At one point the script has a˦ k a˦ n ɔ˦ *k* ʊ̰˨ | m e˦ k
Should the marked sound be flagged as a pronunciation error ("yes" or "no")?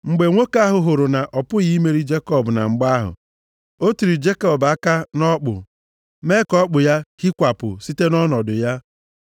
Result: yes